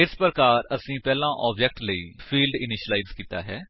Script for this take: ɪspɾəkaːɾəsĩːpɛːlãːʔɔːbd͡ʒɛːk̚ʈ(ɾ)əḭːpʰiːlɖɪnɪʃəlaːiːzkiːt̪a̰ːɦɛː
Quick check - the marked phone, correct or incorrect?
incorrect